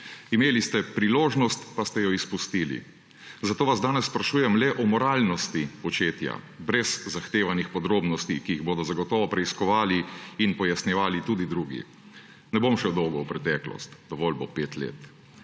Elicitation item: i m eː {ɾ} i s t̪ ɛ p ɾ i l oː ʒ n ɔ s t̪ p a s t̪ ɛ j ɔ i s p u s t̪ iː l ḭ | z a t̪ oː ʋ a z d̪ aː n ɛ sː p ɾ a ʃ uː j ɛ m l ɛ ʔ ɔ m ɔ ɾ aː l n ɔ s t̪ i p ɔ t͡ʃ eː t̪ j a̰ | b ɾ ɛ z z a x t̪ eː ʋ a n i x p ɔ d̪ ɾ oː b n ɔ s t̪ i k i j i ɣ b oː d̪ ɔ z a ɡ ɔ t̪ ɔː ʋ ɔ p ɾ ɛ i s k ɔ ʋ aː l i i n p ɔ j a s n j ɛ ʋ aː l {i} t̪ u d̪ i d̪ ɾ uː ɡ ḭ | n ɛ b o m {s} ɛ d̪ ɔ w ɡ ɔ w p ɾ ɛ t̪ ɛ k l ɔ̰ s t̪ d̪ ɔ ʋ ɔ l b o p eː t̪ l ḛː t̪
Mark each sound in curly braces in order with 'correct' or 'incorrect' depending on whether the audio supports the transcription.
incorrect: l, correct, incorrect: ʃ

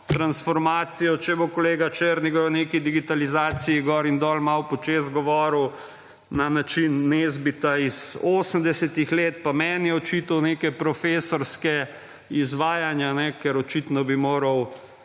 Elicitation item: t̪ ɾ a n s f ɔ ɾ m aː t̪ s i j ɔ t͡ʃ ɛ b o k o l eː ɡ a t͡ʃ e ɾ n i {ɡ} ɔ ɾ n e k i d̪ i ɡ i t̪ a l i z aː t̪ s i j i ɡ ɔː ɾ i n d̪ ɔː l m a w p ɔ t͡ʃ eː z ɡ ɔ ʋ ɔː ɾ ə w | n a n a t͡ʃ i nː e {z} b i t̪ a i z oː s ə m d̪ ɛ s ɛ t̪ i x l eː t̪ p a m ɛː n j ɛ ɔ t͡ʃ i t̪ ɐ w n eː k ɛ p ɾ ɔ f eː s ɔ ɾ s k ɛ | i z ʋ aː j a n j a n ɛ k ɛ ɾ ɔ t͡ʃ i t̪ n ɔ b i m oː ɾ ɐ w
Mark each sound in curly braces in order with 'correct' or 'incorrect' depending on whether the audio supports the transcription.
correct, correct

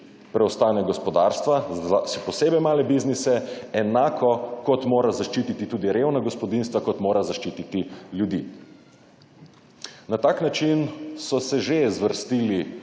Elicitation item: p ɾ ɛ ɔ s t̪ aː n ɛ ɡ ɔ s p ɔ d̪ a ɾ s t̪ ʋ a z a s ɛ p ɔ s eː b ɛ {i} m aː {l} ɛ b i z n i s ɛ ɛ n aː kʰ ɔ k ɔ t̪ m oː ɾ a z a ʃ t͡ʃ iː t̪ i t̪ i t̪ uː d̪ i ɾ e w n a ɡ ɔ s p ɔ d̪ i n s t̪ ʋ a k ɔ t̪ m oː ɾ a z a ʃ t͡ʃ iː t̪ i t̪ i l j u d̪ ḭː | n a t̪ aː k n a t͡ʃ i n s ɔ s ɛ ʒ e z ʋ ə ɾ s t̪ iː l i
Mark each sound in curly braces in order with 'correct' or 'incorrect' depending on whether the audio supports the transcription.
incorrect: j, correct

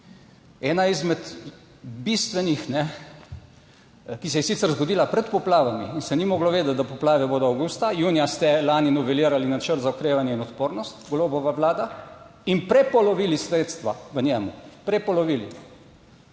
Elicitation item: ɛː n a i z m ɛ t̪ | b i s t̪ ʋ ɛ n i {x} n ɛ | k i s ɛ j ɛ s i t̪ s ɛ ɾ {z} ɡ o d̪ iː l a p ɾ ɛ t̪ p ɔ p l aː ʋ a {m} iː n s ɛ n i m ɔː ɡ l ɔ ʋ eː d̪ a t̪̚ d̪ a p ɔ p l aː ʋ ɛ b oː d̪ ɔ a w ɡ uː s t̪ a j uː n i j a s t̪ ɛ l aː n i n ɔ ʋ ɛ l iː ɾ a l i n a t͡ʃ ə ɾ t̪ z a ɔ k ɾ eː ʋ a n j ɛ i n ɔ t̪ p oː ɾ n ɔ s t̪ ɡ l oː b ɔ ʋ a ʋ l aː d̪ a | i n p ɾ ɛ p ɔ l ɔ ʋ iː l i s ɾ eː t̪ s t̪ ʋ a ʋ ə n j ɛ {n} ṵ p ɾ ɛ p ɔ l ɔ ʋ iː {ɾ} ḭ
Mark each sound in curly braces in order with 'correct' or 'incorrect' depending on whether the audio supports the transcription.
correct, correct, correct, incorrect: m, incorrect: l

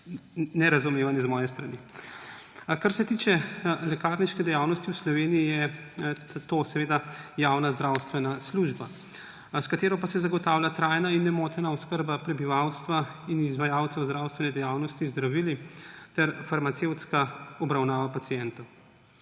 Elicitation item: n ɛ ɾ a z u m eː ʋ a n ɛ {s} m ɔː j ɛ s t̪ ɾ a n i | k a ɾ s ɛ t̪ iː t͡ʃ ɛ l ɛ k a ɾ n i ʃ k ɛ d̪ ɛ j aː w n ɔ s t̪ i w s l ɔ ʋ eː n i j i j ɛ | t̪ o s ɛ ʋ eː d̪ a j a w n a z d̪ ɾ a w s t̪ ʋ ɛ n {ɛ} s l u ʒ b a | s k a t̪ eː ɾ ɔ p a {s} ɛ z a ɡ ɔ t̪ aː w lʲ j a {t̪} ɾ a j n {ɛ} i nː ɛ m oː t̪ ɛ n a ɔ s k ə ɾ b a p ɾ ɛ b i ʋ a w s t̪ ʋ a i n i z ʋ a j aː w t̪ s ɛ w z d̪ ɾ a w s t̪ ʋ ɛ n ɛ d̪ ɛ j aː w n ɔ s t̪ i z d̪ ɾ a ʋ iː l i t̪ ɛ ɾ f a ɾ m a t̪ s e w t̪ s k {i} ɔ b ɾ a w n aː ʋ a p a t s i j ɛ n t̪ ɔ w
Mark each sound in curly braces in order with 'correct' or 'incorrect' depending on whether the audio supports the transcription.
incorrect: z, incorrect: a, correct, correct, incorrect: a, incorrect: a

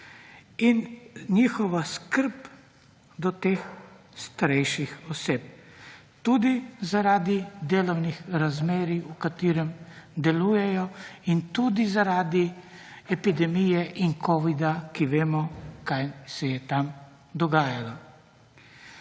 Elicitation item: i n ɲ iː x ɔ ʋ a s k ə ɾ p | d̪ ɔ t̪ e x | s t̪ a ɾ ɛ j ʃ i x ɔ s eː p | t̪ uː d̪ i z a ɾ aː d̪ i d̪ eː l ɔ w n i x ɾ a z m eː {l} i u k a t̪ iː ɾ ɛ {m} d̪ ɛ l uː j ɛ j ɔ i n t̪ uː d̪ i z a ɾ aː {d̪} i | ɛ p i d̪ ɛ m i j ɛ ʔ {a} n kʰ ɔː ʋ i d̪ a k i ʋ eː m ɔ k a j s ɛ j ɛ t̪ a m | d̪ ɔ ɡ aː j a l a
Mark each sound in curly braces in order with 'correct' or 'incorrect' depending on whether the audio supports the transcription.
incorrect: ɾ, correct, correct, incorrect: i

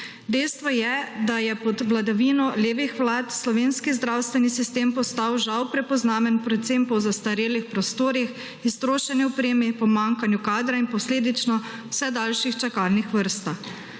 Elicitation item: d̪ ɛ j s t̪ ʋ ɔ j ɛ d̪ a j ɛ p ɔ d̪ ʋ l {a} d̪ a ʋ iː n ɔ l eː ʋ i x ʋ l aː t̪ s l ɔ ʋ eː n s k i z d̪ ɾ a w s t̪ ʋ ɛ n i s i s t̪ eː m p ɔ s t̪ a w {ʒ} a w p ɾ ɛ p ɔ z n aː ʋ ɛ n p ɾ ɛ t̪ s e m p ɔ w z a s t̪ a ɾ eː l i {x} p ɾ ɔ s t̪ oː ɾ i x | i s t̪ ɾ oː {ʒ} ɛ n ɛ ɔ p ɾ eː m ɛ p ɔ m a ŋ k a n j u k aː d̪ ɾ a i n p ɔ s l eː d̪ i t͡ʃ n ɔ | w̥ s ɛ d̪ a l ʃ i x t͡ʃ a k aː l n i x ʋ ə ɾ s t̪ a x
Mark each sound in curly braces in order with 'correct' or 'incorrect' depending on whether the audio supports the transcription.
correct, correct, correct, incorrect: ʃ

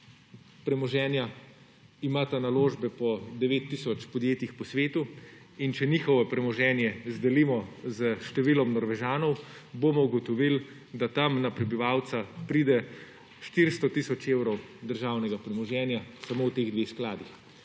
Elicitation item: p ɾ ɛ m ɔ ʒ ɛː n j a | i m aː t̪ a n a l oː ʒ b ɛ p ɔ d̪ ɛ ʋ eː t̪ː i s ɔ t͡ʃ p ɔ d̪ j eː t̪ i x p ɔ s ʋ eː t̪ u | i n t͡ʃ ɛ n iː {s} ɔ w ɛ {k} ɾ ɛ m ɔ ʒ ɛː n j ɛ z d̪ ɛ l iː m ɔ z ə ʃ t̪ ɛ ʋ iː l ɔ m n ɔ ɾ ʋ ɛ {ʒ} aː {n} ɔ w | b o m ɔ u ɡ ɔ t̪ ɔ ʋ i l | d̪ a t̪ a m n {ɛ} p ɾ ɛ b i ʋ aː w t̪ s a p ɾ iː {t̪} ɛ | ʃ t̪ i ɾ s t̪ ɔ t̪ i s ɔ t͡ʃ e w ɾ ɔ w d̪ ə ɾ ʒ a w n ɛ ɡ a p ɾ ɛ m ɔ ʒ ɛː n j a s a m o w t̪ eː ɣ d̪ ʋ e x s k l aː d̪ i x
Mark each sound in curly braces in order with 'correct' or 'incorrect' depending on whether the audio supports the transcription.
incorrect: x, incorrect: p, correct, correct, incorrect: a, incorrect: d̪

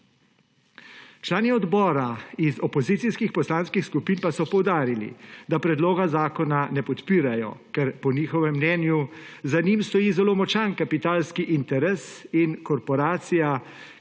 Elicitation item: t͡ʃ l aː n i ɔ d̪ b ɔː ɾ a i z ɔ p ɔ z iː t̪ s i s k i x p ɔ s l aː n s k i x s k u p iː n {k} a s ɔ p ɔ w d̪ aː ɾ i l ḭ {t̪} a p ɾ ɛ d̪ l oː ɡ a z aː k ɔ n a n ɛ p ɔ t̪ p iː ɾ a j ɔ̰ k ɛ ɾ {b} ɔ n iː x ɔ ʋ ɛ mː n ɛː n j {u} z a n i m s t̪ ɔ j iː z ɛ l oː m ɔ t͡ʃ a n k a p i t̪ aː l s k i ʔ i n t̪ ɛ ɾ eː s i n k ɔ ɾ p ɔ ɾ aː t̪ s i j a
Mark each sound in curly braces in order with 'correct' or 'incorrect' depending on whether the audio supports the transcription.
incorrect: p, incorrect: d̪, incorrect: p, correct

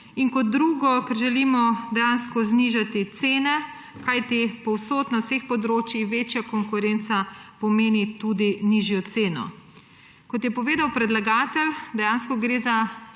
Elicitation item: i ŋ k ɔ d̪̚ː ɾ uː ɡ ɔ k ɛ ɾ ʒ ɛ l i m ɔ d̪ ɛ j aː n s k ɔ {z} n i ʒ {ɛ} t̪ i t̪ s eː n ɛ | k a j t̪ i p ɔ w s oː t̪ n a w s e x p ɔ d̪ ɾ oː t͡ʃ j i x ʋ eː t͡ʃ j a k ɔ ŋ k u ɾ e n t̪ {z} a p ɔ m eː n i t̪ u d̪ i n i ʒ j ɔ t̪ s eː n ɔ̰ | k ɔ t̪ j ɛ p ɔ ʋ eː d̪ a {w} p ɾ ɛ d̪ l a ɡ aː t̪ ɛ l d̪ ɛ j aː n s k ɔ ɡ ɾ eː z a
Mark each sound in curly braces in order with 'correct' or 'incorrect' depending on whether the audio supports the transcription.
correct, incorrect: a, incorrect: s, correct

